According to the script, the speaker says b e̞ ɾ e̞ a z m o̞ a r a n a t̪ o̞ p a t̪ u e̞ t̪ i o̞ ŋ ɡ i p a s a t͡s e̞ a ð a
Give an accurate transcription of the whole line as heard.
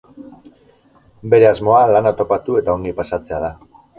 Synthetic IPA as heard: b e̞ ɾ e̞ a z m o̞ a l a n a t̪ o̞ p a t̪ u e̞ t̪ a o̞ ŋ ɡ i p a s a t͡s e̞ a ð a